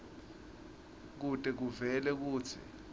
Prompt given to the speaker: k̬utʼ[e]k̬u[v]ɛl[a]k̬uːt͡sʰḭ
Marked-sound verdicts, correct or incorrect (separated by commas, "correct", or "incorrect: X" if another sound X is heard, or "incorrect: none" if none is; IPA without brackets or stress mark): incorrect: ɛ, correct, incorrect: ɛ